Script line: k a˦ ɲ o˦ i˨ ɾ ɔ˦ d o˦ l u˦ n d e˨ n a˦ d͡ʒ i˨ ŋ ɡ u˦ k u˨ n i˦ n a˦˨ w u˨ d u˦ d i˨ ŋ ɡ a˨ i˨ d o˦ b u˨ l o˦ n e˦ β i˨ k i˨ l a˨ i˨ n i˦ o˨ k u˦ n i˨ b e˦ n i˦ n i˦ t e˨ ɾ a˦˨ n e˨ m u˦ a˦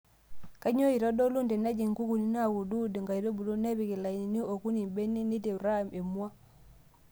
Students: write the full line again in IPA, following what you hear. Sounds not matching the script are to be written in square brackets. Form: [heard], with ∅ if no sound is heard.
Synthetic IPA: k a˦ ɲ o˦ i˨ ɾ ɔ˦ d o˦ l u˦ n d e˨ n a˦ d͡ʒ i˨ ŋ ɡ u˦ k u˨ n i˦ n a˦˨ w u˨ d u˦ d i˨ ŋ ɡ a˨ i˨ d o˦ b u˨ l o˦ n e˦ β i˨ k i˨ l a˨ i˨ n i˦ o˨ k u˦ n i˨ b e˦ n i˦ n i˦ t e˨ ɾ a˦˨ [m] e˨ m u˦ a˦